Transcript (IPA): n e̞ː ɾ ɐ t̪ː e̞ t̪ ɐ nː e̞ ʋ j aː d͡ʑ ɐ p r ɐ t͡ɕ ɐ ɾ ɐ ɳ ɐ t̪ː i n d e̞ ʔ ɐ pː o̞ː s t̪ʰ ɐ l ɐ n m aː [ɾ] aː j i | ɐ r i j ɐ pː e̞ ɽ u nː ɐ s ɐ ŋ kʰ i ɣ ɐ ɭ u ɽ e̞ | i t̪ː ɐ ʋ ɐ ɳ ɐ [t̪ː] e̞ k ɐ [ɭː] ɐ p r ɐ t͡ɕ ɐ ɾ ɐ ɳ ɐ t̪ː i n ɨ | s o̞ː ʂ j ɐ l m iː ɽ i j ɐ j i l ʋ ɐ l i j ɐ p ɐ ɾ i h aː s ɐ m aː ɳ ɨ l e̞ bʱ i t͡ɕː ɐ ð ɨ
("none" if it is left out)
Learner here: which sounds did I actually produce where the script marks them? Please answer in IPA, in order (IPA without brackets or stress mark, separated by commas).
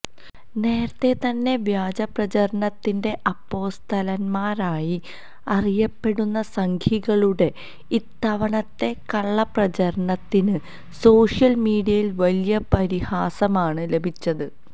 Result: ɾ, t̪ː, ɭː